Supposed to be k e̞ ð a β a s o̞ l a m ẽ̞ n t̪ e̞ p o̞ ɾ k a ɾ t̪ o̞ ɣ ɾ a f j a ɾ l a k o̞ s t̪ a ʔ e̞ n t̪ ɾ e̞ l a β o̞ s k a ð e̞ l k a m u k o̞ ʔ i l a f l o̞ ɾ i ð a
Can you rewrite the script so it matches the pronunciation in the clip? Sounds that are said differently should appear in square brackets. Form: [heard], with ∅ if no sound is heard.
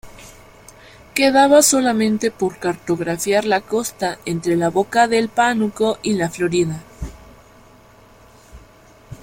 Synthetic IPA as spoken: k e̞ ð a β a s o̞ l a m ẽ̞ n t̪ e̞ p o̞ ɾ k a ɾ t̪ o̞ ɣ ɾ a f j a ɾ l a k o̞ s t̪ a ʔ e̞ n t̪ ɾ e̞ l a β o̞ [∅] k a ð e̞ l [p] a [n] u k o̞ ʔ i l a f l o̞ ɾ i ð a